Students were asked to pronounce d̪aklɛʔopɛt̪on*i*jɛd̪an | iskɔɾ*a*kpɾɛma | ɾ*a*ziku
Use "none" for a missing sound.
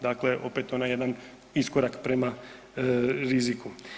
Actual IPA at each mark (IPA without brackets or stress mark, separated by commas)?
a, a, i